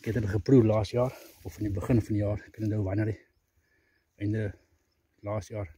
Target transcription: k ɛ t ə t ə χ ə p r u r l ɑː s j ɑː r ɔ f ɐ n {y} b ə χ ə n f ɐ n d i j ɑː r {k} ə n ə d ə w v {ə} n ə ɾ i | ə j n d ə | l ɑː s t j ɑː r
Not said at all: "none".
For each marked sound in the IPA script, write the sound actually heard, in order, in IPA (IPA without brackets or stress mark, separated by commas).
i, k, ɐ